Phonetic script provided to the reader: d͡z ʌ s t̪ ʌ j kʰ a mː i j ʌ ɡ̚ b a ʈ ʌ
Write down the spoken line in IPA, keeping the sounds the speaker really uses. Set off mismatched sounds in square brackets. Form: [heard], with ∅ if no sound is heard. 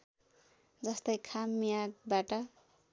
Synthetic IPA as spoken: d͡z ʌ s t̪ ʌ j kʰ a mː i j [a] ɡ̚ b a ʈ ʌ